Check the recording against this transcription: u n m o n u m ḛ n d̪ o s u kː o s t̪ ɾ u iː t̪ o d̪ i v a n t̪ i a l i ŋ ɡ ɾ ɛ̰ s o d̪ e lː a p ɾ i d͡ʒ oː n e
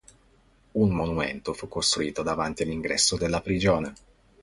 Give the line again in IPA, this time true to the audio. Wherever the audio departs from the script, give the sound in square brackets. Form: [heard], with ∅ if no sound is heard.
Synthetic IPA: u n m o n u m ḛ n [t̪] o [f] u kː o s t̪ ɾ u iː t̪ o d̪ [a] v a n t̪ i a l i ŋ ɡ ɾ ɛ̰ [sː] o d̪ e lː a p ɾ i d͡ʒ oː n e